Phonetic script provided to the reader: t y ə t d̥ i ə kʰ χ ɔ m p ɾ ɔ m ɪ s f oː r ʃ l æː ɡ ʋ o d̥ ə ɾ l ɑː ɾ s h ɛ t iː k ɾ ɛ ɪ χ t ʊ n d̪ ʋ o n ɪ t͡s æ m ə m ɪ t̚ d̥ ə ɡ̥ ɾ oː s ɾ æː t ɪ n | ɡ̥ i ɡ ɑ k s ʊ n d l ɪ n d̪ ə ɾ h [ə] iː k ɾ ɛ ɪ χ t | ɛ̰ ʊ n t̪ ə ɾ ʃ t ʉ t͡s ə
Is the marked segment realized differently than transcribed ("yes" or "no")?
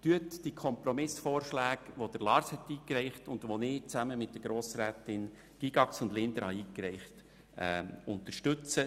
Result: yes